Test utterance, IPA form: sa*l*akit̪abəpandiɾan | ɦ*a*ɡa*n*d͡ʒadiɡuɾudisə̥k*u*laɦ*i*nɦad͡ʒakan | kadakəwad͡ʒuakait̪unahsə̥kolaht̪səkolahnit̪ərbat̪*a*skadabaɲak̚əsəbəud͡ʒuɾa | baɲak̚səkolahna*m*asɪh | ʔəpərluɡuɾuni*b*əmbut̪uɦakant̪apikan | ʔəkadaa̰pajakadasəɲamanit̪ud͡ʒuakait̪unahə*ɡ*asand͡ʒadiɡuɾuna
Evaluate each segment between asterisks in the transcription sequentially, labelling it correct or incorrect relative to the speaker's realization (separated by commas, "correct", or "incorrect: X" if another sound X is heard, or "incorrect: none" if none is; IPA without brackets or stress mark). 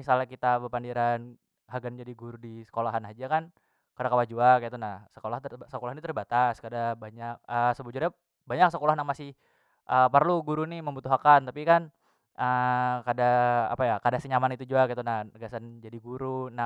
correct, correct, correct, incorrect: o, incorrect: a, correct, correct, incorrect: m, correct